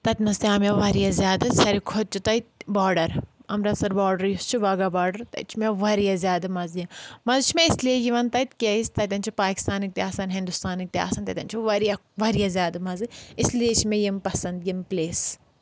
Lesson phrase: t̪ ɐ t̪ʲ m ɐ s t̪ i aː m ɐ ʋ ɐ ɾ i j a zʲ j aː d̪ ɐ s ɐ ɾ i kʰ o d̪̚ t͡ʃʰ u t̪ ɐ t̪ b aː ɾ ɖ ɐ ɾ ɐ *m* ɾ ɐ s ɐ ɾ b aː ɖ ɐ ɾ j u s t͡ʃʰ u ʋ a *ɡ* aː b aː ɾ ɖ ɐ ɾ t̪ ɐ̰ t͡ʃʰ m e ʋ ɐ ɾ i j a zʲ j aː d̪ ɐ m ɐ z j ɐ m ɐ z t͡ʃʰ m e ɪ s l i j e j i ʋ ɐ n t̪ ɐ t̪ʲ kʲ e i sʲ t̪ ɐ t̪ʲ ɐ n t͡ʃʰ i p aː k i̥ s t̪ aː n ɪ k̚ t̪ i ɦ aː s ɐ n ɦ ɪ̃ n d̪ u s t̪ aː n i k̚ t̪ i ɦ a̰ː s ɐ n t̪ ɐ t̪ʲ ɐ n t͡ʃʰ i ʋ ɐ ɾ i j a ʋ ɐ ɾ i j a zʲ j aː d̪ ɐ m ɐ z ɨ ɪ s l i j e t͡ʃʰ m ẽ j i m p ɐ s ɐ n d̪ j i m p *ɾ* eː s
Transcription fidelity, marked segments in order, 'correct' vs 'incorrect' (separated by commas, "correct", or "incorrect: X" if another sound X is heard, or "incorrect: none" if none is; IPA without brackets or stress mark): correct, correct, incorrect: l